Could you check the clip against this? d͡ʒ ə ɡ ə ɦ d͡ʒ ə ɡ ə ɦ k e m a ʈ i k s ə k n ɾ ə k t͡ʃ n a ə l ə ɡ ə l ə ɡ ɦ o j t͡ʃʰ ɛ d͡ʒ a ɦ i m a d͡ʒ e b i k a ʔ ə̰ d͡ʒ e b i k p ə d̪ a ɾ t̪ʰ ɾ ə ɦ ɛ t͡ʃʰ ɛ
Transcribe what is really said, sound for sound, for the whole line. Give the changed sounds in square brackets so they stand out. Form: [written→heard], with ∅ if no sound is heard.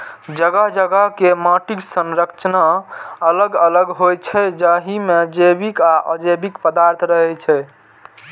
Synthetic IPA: d͡ʒ ə ɡ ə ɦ d͡ʒ ə ɡ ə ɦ k e m a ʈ i k s ə [k→∅] n ɾ ə k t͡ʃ n a ə l ə ɡ ə l ə ɡ ɦ o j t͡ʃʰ ɛ d͡ʒ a ɦ i m [a→e] d͡ʒ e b i k a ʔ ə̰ d͡ʒ e b i k p ə d̪ a ɾ t̪ʰ ɾ ə ɦ ɛ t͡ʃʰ ɛ